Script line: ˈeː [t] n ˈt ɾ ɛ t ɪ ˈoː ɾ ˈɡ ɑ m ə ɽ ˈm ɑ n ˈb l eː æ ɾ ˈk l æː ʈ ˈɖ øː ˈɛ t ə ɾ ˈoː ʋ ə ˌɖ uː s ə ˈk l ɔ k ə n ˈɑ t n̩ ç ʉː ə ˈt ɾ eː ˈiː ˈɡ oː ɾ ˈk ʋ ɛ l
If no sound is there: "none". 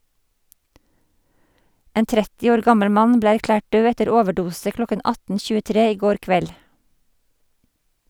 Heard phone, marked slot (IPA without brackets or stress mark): none